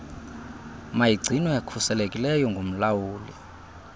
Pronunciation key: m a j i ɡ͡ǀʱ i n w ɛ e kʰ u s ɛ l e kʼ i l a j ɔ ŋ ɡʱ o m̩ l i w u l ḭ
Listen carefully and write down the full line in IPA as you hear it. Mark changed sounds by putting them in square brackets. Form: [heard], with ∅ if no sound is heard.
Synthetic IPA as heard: m a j i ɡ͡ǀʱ i n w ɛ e kʰ u s ɛ l e kʼ i l [ɛ] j ɔ ŋ ɡʱ o m̩ l [a] w [uː] l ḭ